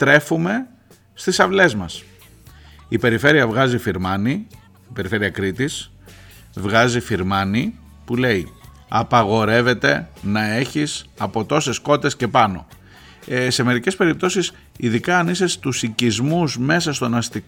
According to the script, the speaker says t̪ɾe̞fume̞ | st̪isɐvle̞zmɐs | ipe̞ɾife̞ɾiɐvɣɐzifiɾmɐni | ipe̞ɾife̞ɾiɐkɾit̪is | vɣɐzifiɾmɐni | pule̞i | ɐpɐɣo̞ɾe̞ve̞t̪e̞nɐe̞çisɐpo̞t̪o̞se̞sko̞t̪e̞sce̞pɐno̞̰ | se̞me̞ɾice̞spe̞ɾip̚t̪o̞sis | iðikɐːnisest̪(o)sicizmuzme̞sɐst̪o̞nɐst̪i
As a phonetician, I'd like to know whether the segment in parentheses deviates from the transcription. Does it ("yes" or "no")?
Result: yes